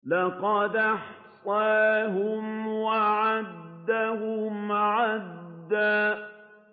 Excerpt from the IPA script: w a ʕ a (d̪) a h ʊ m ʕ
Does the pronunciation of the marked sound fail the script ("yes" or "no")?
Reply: yes